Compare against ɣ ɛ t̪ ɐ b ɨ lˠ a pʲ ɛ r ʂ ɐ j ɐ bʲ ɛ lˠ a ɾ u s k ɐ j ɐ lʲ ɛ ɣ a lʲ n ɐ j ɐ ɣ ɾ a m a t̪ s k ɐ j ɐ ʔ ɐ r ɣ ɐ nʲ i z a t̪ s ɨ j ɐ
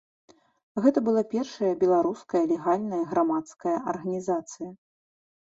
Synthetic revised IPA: ɣ ɛ t̪ ɐ b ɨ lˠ a pʲ ɛ r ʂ ɐ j ɐ bʲ ɛ lˠ a ɾ u s k ɐ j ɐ lʲ ɛ ɣ a lʲ n ɐ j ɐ ɣ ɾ a m a t̪ s k ɐ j ɐ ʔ ɐ r ɣ ɐ nʲ i z a t̪ s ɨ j ɐ